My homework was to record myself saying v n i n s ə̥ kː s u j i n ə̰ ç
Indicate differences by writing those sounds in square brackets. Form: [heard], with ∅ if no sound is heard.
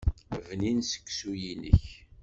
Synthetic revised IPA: v n i n s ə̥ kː s u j i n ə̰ ç